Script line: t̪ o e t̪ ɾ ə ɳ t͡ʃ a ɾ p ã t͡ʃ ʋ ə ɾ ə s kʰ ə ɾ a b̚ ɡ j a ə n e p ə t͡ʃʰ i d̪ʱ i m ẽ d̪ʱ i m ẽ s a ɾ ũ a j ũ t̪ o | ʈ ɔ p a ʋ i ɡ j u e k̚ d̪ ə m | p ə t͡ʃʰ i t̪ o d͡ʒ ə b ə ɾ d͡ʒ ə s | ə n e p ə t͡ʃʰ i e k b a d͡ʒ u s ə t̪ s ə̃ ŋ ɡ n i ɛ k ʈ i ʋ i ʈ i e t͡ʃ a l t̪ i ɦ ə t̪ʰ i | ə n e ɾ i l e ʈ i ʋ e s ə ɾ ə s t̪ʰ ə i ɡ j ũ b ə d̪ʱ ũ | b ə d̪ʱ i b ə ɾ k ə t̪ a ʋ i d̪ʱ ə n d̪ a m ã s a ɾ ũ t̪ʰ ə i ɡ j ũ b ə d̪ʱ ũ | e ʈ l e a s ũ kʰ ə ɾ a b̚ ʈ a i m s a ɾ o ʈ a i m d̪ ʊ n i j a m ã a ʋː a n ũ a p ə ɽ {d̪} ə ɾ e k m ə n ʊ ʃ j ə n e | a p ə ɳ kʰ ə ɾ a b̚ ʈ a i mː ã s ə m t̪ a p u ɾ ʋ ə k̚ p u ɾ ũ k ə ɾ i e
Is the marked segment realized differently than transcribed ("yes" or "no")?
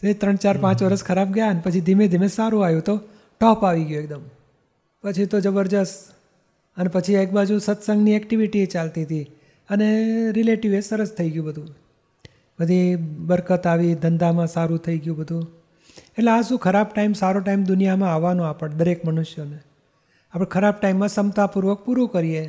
no